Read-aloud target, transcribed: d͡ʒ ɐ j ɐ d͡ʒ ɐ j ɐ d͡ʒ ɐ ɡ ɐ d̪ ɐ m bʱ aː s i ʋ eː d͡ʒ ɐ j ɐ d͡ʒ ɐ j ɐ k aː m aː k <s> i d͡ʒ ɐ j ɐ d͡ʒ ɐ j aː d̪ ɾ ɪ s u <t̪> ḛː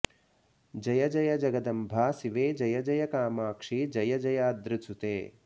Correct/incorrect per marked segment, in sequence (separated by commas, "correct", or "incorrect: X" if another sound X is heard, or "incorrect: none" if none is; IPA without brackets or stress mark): incorrect: ʂ, correct